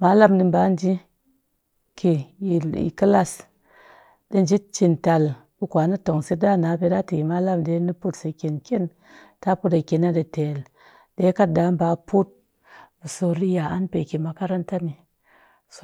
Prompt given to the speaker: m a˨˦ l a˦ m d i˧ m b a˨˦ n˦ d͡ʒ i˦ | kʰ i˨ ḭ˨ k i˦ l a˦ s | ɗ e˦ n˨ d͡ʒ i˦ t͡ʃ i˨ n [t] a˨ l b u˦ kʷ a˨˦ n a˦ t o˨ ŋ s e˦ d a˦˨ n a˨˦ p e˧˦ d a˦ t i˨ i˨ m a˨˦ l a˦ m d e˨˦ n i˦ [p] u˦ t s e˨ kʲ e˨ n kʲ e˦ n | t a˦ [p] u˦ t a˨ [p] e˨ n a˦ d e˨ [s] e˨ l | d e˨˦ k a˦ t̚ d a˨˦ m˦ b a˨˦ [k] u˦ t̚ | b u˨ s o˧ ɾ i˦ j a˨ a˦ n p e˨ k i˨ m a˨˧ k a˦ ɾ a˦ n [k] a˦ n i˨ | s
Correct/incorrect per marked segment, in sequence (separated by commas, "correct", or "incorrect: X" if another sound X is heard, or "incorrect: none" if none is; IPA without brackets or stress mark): correct, correct, correct, incorrect: k, incorrect: t, incorrect: p, incorrect: t